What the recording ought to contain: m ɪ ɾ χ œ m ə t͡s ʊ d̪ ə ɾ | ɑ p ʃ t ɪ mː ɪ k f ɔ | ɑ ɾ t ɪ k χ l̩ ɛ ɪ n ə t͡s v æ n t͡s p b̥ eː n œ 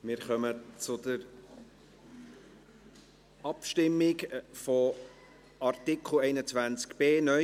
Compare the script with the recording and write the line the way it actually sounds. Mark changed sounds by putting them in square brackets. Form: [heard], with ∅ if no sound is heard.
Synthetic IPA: m ɪ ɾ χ œ m ə t͡s ʊ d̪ ə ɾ | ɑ p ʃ t ɪ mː ɪ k f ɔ | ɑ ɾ t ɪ k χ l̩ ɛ ɪ n ə t͡s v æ n t͡s [k] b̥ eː n œ